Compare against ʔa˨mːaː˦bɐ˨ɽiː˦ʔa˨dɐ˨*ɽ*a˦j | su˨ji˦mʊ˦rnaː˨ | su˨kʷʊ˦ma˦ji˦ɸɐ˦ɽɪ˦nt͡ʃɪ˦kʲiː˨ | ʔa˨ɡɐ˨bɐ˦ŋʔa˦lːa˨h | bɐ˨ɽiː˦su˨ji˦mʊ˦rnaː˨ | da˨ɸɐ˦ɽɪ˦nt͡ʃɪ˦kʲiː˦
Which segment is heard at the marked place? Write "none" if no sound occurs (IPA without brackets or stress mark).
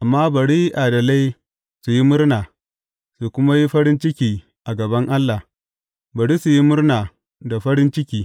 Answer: l